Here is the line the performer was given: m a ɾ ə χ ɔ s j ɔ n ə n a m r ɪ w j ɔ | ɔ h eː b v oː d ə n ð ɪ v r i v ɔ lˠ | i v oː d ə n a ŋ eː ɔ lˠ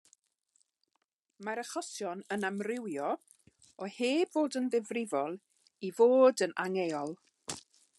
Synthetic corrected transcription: m a ɾ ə χ ɔ s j ɔ n ə n a m r ɪ w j ɔ | ɔ h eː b v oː d ə n ð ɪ v r ɪ v ɔ lˠ | i v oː d ə n a ŋ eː ɔ lˠ